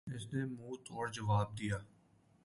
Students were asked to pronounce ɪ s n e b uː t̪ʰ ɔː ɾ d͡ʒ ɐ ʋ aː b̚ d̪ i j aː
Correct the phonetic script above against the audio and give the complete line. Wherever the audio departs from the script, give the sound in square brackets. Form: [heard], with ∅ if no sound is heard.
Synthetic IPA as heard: ɪ s n e [m] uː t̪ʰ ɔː ɾ d͡ʒ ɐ ʋ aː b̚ d̪ i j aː